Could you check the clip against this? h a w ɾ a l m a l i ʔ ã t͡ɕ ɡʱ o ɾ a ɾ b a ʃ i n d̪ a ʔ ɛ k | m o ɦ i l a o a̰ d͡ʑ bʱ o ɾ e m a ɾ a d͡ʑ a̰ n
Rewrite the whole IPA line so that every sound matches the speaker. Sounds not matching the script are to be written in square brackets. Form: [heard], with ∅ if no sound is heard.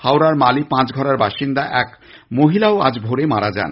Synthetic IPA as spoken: h a w ɾ a [ɾ] m a l i [p] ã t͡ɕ ɡʱ [ɔ] ɾ a ɾ b a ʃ i n d̪ a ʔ ɛ k | m o ɦ i l a o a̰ d͡ʑ bʱ o ɾ e m a ɾ a d͡ʑ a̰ n